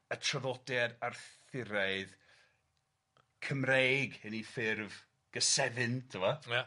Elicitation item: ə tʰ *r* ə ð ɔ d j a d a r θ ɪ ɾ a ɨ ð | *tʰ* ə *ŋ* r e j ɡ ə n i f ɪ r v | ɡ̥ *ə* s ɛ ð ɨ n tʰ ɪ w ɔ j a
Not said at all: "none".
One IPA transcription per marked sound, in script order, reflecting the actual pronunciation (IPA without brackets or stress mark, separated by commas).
r, kʰ, m, ə